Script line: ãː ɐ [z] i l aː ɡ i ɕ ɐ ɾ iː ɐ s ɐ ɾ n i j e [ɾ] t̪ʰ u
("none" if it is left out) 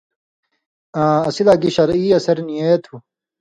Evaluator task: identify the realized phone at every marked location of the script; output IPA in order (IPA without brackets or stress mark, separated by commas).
s, none